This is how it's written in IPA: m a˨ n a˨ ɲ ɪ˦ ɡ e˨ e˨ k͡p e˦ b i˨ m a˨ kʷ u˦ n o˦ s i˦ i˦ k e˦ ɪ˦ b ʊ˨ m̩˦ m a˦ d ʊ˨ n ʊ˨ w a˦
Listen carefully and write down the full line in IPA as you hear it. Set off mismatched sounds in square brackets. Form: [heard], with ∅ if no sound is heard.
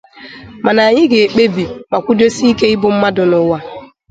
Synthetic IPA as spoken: m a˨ n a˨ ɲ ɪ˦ ɡ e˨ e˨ k͡p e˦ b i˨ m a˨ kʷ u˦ [d] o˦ s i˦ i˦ k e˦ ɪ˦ b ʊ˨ m̩˦ m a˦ d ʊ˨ n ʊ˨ w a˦